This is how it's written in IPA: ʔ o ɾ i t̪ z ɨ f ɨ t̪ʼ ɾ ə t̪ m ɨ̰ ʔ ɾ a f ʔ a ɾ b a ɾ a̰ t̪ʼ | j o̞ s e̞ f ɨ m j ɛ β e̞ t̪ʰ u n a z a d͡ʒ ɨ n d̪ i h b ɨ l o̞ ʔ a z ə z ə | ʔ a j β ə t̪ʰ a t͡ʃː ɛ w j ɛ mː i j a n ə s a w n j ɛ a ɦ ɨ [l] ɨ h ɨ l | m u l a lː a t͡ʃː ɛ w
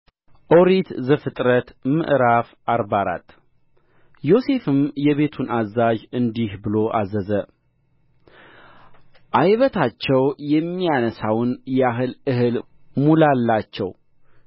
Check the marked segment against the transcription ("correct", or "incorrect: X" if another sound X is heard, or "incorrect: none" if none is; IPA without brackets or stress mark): correct